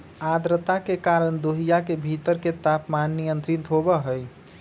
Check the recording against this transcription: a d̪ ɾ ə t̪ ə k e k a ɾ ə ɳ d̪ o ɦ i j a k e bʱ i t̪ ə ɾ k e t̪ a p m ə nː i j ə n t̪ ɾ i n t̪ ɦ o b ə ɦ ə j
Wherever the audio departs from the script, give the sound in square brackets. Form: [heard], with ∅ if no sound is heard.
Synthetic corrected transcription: a d̪ ɾ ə t̪ [a] k e k a ɾ ə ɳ d̪ o ɦ i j a k e bʱ i t̪ ə ɾ k e t̪ a p m [a] nː i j ə n t̪ ɾ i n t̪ ɦ o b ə ɦ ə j